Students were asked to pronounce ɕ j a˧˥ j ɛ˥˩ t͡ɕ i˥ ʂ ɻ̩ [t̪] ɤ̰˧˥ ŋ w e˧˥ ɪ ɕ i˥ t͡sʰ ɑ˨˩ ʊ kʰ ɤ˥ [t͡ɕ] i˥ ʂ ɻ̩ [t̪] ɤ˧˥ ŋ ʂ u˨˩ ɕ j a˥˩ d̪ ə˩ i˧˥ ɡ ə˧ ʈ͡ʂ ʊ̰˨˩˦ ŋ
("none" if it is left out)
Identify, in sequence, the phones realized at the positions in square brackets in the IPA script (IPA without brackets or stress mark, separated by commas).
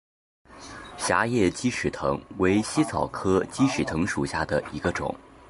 t̪ʰ, t͡ɕ, t̪ʰ